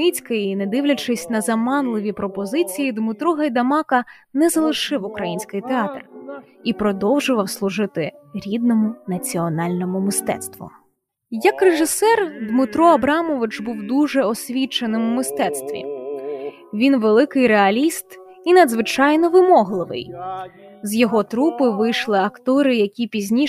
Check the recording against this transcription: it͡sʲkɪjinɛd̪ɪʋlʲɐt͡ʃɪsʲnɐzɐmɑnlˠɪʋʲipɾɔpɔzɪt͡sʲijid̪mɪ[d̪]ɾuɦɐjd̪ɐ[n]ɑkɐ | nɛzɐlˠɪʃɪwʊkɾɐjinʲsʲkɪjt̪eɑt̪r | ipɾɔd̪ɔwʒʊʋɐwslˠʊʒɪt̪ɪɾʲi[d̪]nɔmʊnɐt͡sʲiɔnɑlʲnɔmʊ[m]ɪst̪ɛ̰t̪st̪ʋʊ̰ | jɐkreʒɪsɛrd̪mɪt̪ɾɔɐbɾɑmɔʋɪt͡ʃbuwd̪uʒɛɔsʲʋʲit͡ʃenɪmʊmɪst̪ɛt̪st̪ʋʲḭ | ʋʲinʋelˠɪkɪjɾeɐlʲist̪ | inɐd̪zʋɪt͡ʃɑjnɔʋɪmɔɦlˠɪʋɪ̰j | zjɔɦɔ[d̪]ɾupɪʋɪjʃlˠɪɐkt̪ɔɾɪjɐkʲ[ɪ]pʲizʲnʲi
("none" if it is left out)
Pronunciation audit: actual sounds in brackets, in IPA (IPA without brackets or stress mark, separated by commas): t̪, m, d̪, m, t̪, i